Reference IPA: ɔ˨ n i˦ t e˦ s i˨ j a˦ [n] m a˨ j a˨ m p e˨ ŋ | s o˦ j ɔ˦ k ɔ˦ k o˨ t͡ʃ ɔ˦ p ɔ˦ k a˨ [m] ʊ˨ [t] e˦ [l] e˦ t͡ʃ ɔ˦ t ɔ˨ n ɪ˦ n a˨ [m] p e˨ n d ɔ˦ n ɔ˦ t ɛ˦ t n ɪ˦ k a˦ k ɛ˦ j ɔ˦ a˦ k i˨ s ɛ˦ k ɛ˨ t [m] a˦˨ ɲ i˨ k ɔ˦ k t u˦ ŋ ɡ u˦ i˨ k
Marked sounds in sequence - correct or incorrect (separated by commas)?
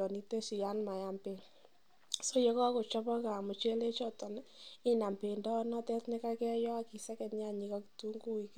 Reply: correct, correct, incorrect, correct, correct, incorrect